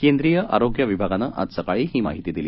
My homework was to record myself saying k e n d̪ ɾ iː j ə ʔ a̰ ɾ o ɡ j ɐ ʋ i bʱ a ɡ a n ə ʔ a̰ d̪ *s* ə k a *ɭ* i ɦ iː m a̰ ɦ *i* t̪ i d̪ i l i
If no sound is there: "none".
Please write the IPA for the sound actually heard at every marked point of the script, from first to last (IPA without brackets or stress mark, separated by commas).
s, ɭ, i